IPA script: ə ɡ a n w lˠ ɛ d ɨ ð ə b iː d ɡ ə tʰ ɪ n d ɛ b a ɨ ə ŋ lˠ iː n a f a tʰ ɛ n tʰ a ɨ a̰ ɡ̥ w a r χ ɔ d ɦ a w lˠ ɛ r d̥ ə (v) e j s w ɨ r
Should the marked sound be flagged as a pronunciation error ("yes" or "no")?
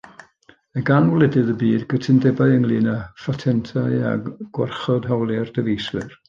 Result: no